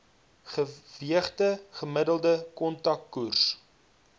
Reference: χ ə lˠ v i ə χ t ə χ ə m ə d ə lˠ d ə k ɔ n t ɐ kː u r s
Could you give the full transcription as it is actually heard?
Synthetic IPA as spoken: χ ə v i ə χ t ə χ ə m ə d ə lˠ d ə k ɔ n t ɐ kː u r s